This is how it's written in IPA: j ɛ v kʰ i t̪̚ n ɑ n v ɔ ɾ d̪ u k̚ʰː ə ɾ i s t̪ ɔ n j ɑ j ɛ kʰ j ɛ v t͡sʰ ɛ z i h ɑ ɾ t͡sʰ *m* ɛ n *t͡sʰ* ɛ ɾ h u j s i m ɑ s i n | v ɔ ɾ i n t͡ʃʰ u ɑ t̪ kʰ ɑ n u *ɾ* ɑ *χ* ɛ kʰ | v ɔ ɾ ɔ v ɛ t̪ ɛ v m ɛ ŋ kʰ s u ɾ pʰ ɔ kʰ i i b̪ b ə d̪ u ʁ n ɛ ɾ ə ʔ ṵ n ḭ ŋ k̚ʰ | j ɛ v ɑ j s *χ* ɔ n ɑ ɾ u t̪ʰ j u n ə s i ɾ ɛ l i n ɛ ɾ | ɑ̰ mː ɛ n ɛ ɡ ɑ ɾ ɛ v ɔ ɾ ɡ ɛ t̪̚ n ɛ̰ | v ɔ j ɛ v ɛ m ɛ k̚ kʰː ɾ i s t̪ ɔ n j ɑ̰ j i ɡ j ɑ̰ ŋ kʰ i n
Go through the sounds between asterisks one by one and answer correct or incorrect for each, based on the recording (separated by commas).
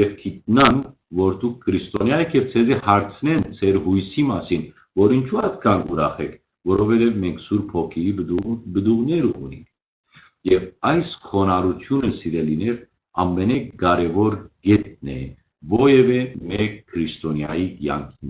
incorrect, correct, correct, correct, correct